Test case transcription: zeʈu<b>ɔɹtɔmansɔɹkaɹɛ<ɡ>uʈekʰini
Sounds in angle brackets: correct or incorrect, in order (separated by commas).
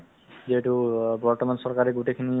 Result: correct, correct